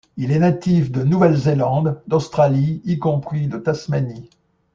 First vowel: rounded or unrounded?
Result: unrounded